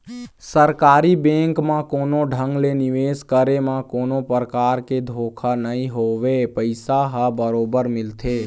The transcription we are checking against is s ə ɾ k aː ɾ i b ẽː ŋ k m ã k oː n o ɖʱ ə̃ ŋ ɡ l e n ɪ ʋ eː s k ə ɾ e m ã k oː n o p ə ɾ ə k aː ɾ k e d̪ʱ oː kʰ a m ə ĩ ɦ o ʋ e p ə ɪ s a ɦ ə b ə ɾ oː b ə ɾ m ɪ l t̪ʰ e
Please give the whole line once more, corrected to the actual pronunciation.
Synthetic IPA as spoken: s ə ɾ k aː ɾ i b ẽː ŋ k m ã k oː n o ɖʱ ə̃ ŋ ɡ l e n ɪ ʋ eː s k ə ɾ e m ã k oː n o p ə ɾ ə k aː ɾ k e d̪ʱ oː kʰ a n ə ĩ ɦ o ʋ e p ə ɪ s a ɦ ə b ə ɾ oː b ə ɾ m ɪ l t̪ʰ e